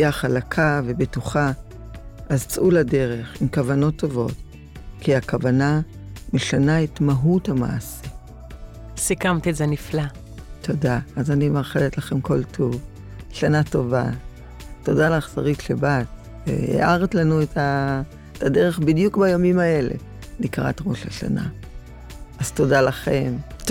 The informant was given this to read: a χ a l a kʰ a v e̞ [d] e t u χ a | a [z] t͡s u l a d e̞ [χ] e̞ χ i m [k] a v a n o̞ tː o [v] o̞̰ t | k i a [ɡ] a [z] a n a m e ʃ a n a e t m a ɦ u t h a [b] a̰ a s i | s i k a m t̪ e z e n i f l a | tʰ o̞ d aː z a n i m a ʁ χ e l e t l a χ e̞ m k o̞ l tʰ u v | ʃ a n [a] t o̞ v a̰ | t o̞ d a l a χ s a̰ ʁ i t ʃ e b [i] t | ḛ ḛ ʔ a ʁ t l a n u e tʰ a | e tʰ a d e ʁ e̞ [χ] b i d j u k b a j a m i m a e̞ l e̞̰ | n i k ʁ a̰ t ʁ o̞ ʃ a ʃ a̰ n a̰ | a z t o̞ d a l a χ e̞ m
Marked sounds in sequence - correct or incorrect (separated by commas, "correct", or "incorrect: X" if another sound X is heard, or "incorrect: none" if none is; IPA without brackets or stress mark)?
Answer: incorrect: b, correct, incorrect: ʁ, correct, correct, incorrect: k, incorrect: v, incorrect: m, correct, incorrect: a, correct